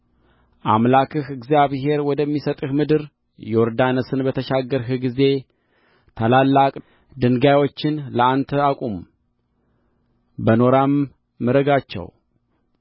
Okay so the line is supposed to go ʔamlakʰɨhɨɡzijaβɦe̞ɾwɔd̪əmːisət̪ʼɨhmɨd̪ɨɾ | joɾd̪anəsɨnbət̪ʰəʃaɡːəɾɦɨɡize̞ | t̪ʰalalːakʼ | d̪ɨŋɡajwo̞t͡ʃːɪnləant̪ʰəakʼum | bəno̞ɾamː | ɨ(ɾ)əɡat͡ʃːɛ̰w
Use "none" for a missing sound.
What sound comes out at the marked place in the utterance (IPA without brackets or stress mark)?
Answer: ɾ